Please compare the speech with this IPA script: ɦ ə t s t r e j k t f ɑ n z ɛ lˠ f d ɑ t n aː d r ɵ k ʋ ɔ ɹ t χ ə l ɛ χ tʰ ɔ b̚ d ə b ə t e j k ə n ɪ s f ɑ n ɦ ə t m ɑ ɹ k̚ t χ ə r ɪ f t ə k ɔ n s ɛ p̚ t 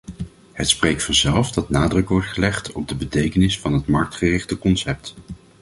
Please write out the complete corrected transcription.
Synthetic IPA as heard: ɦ ə t s p r e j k t f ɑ n z ɛ lˠ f d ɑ t n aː d r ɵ k ʋ ɔ ɹ t χ ə l ɛ χ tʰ ɔ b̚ d ə b ə t e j k ə n ɪ s f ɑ n ɦ ə t m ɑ ɹ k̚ t χ ə r ɪ χ t ə k ɔ n s ɛ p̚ t